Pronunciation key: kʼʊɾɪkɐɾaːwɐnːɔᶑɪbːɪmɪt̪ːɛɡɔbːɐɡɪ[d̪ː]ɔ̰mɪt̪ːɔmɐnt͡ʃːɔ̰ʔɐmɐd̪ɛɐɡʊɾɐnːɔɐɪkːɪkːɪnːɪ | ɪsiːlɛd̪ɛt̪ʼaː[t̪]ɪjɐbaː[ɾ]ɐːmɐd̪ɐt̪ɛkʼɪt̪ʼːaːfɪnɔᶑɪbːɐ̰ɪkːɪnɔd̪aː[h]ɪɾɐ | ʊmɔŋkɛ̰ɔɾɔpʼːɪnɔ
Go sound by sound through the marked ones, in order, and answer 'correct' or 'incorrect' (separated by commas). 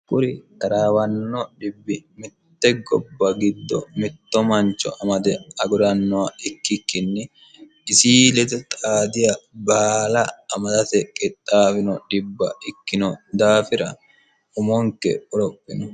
correct, incorrect, incorrect, incorrect